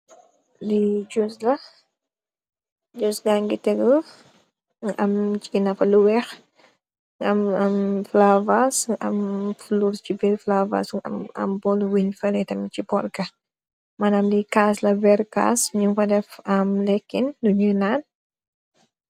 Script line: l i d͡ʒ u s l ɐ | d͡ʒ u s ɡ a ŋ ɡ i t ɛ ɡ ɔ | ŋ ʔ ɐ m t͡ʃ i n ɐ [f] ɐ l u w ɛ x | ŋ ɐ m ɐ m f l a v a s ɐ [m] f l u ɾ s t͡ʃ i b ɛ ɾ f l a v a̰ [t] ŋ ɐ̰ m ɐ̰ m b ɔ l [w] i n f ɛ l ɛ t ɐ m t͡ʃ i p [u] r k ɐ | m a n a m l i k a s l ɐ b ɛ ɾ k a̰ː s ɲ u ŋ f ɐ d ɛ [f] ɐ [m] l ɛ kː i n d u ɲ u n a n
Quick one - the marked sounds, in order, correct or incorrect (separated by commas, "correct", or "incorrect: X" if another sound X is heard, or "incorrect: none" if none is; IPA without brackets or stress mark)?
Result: correct, correct, incorrect: s, correct, incorrect: ɔ, correct, correct